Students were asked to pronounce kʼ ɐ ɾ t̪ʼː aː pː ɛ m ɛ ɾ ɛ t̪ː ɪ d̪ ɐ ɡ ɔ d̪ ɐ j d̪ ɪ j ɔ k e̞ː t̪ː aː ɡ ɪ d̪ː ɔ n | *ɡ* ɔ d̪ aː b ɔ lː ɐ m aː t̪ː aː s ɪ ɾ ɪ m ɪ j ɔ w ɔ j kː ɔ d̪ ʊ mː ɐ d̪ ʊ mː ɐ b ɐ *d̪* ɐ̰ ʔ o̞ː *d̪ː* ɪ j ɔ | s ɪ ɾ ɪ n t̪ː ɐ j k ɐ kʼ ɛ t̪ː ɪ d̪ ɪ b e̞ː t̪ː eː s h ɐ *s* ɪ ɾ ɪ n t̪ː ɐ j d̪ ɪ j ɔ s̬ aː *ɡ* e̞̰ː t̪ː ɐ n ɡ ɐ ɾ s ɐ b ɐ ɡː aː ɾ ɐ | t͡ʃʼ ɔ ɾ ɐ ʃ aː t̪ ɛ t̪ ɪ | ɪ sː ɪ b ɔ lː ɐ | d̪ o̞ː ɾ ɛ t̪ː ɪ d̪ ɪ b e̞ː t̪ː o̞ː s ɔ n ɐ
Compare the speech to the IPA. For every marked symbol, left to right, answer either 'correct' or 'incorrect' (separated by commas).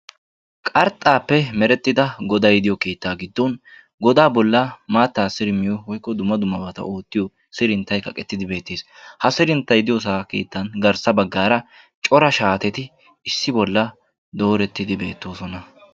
correct, incorrect, incorrect, correct, incorrect